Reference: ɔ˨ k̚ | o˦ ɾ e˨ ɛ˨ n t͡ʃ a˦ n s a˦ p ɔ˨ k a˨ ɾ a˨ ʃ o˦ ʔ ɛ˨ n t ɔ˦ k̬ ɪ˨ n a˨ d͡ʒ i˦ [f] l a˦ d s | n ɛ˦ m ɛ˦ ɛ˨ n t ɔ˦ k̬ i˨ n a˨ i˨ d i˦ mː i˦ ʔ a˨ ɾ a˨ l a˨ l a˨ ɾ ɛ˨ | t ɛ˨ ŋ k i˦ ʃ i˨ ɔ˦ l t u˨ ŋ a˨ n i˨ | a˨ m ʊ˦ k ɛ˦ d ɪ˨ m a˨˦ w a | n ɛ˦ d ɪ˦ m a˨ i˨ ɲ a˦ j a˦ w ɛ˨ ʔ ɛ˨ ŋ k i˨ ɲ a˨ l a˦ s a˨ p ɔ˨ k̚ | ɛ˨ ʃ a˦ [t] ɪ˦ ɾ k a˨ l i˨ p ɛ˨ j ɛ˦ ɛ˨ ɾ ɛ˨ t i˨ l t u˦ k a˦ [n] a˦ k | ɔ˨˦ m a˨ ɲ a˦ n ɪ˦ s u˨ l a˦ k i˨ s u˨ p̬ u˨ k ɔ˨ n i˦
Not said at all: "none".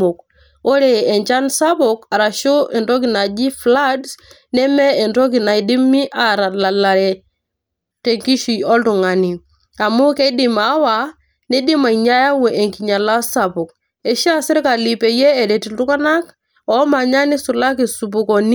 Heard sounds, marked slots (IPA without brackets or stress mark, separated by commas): f, s, n